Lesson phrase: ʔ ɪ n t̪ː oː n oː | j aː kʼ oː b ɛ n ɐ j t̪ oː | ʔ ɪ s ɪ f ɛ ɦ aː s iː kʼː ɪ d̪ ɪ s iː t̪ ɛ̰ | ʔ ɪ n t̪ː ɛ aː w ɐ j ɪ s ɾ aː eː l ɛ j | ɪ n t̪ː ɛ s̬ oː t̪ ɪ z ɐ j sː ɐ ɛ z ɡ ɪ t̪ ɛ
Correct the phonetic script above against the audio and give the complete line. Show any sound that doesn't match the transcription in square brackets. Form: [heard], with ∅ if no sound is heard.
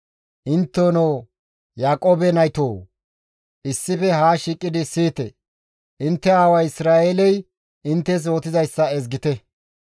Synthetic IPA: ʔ ɪ n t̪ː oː n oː | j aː kʼ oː b ɛ n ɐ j t̪ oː | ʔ ɪ [sː] ɪ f ɛ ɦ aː [ʃ] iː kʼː ɪ d̪ ɪ s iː t̪ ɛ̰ | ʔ ɪ n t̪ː ɛ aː w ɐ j ɪ s ɾ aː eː l ɛ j | ɪ n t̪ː ɛ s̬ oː t̪ ɪ z ɐ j sː ɐ ɛ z ɡ ɪ t̪ ɛ

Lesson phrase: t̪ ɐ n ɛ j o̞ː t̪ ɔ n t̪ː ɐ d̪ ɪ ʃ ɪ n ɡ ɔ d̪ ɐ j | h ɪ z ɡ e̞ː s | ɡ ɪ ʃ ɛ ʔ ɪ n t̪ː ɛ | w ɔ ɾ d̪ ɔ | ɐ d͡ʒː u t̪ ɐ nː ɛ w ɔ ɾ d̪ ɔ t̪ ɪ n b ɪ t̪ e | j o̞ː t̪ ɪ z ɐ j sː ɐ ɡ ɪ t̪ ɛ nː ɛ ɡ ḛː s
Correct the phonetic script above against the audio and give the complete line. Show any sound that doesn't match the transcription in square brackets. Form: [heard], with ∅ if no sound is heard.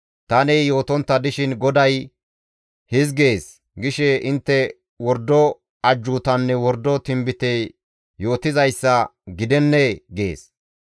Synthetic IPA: t̪ ɐ n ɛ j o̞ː t̪ ɔ n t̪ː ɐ d̪ ɪ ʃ ɪ n ɡ ɔ d̪ ɐ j | h ɪ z ɡ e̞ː s | ɡ ɪ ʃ ɛ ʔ ɪ n t̪ː ɛ | w ɔ ɾ d̪ ɔ | ɐ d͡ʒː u t̪ ɐ nː ɛ w ɔ ɾ d̪ ɔ t̪ ɪ [m] b ɪ t̪ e | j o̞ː t̪ ɪ z ɐ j sː ɐ ɡ ɪ [d̪] ɛ nː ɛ ɡ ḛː s

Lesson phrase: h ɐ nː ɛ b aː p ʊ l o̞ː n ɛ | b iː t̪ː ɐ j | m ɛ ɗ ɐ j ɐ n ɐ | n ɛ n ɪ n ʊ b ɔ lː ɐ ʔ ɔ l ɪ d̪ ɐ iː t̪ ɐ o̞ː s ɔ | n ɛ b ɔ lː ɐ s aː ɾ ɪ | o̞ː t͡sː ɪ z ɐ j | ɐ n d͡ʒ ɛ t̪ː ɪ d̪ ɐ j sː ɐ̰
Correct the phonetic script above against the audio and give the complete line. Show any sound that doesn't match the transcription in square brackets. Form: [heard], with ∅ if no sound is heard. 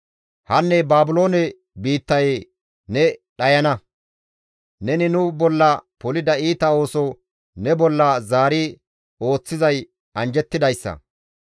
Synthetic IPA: h ɐ nː ɛ b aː [b] ʊ l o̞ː n ɛ | b iː t̪ː ɐ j | [n] ɛ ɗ ɐ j ɐ n ɐ | n ɛ n ɪ n ʊ b ɔ lː ɐ [p] ɔ l ɪ d̪ ɐ iː t̪ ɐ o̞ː s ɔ | n ɛ b ɔ lː ɐ [z] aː ɾ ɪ | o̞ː t͡sː ɪ z ɐ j | ɐ n d͡ʒ ɛ t̪ː ɪ d̪ ɐ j sː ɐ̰

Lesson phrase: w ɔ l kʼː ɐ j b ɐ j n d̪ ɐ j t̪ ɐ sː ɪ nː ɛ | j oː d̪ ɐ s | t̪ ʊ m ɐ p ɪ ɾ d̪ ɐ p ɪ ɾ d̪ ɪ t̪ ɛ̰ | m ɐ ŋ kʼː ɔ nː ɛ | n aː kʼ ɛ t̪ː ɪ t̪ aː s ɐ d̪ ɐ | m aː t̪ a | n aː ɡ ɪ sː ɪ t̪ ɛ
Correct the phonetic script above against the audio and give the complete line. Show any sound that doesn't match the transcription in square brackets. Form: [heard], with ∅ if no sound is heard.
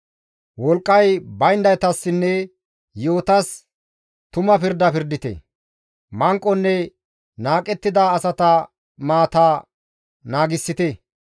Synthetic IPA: w ɔ l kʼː ɐ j b ɐ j n d̪ ɐ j t̪ ɐ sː ɪ nː ɛ | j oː [t̪] ɐ s | t̪ ʊ m ɐ p ɪ ɾ d̪ ɐ p ɪ ɾ d̪ ɪ t̪ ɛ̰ | m ɐ ŋ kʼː ɔ nː ɛ | n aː kʼ ɛ t̪ː ɪ [d̪] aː s ɐ [t̪] ɐ | m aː t̪ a | n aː ɡ ɪ sː ɪ t̪ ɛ

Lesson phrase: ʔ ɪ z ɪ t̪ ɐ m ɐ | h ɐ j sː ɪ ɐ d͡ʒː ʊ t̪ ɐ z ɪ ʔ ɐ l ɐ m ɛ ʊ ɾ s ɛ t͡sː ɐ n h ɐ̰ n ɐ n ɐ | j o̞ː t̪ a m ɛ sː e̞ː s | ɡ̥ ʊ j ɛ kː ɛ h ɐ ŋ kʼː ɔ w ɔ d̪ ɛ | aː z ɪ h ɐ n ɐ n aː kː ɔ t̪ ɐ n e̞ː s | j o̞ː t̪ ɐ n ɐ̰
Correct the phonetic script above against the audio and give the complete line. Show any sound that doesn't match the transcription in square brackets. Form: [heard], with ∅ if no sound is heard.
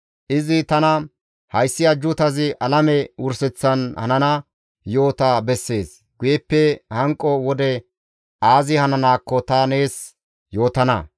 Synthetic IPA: ʔ ɪ z ɪ t̪ ɐ [n] ɐ | h ɐ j sː ɪ ɐ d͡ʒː ʊ t̪ ɐ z ɪ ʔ ɐ l ɐ m ɛ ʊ ɾ s ɛ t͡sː ɐ n h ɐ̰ n ɐ n ɐ | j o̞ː t̪ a [b] ɛ sː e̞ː s | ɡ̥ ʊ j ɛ [pː] ɛ h ɐ ŋ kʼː ɔ w ɔ d̪ ɛ | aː z ɪ h ɐ n ɐ n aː kː ɔ t̪ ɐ n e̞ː s | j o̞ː t̪ ɐ n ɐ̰

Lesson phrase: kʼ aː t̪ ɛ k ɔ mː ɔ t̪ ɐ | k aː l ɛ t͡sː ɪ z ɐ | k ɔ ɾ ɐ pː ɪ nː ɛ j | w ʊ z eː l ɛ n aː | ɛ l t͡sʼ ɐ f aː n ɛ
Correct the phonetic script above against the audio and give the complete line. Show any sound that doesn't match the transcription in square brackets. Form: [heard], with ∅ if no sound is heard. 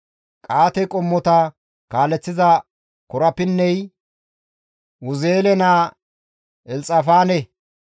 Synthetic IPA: kʼ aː t̪ ɛ [kʼ] ɔ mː ɔ t̪ ɐ | k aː l ɛ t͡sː ɪ z ɐ | k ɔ ɾ ɐ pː ɪ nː ɛ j | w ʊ z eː l ɛ n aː | ɛ l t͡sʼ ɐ f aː n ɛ

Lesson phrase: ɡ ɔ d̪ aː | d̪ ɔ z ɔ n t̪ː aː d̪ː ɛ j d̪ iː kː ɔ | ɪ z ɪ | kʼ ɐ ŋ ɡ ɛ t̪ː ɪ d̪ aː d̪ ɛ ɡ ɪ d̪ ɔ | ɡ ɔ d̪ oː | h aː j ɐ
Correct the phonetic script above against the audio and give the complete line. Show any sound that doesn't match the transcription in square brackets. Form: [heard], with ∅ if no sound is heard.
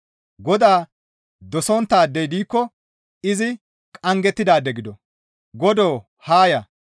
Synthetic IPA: ɡ ɔ d̪ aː | d̪ ɔ [s] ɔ n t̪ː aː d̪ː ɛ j d̪ iː kː ɔ | ɪ z ɪ | kʼ ɐ ŋ ɡ ɛ t̪ː ɪ d̪ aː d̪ ɛ ɡ ɪ d̪ ɔ | ɡ ɔ d̪ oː | h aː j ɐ

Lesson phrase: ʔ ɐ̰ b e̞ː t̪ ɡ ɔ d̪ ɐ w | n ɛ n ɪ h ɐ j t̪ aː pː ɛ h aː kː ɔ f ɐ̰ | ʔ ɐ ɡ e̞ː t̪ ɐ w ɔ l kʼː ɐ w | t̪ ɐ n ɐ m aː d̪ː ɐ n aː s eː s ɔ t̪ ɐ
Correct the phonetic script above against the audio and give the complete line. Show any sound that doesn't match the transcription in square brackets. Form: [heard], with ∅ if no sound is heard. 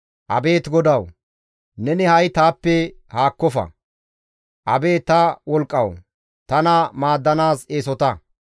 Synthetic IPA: ʔ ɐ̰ b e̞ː t̪ ɡ ɔ d̪ ɐ w | n ɛ n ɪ h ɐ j t̪ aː pː ɛ h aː kː ɔ f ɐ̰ | ʔ ɐ [b] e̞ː t̪ ɐ w ɔ l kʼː ɐ w | t̪ ɐ n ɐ m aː d̪ː ɐ n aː s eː s ɔ t̪ ɐ

